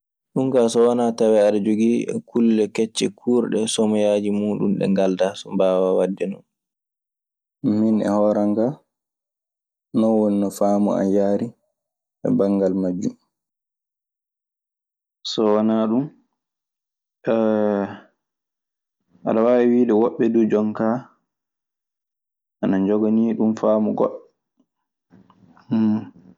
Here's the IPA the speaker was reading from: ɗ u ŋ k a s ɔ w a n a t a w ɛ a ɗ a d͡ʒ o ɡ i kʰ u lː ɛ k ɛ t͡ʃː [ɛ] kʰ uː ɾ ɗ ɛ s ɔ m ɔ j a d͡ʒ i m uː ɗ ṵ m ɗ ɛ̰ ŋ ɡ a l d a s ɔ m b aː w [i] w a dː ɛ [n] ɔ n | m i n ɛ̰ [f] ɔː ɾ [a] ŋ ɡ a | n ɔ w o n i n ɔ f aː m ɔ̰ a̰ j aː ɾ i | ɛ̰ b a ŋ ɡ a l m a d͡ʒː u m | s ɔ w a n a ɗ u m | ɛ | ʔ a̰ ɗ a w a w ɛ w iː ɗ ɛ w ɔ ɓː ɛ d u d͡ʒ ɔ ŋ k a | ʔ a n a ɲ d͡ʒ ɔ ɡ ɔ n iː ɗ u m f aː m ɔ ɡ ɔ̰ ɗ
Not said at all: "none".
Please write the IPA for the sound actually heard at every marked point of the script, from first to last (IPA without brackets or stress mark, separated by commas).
ɛ, a, n, h, a